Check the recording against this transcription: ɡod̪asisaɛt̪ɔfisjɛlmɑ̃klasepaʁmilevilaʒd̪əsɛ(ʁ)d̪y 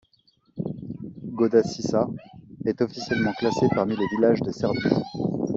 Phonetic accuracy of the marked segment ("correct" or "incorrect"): correct